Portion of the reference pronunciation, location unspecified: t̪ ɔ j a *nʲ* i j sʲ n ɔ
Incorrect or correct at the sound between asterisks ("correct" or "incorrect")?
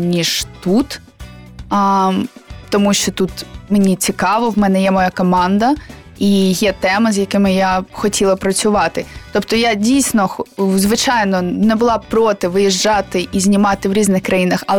incorrect